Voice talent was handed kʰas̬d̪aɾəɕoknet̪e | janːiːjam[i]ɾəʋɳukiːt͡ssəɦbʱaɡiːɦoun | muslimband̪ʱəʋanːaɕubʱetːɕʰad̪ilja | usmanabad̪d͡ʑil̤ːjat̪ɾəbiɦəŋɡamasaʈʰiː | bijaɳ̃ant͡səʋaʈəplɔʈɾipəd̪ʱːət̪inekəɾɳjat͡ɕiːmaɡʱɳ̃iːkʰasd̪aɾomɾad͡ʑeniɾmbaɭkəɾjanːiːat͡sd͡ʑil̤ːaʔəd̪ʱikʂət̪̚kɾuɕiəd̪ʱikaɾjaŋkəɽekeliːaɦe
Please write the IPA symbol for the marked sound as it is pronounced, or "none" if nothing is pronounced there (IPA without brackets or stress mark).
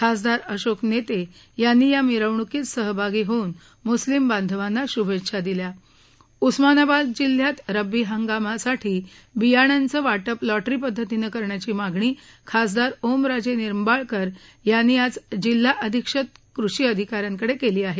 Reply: i